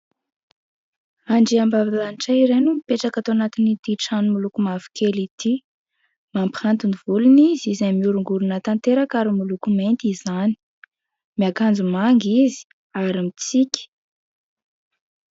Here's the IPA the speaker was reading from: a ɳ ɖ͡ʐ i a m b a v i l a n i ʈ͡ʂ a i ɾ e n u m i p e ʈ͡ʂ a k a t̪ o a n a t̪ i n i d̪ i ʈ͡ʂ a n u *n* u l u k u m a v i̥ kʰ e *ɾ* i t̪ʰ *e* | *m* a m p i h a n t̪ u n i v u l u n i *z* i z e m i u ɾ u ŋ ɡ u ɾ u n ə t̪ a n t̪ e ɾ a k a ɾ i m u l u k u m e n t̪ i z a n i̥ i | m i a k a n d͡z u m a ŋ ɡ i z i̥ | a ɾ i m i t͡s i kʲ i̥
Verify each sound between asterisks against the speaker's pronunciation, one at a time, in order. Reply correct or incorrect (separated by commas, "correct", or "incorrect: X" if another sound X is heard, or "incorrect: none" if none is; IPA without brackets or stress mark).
incorrect: m, incorrect: l, incorrect: i, correct, correct